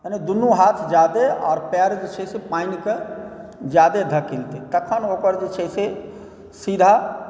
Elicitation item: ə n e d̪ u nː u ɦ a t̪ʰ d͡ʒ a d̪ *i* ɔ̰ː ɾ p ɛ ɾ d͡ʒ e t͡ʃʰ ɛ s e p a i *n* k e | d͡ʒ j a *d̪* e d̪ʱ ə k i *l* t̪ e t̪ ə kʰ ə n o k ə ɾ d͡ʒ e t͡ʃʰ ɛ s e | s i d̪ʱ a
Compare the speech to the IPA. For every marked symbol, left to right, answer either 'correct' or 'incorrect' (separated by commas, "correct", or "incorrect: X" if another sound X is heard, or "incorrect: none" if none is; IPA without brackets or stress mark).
incorrect: e, correct, correct, correct